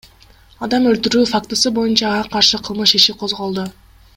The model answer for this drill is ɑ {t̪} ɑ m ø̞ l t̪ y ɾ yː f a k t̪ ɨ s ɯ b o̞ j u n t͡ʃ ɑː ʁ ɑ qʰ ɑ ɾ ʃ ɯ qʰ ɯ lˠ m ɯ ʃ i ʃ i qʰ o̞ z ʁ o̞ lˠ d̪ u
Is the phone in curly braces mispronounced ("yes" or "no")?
yes